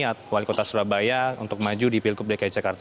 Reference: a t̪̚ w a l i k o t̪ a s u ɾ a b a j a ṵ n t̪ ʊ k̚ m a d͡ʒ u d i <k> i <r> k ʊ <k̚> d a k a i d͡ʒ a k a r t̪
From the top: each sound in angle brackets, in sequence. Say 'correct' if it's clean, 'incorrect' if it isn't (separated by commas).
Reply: incorrect, incorrect, incorrect